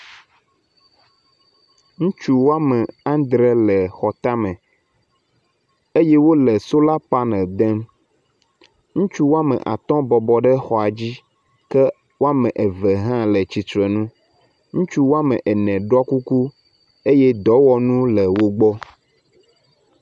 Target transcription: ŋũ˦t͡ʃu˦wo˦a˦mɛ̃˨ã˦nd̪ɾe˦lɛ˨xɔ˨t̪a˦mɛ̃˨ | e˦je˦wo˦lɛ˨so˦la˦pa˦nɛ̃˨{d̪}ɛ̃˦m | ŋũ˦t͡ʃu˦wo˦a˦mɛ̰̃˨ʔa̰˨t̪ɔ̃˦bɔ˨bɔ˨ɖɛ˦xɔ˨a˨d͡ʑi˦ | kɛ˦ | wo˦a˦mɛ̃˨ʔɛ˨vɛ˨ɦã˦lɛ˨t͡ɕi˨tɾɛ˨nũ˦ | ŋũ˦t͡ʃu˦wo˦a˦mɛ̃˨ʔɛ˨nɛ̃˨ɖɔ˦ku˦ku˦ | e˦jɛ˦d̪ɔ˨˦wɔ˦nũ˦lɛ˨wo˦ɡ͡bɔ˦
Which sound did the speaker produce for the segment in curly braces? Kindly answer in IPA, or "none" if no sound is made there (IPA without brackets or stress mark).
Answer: d̪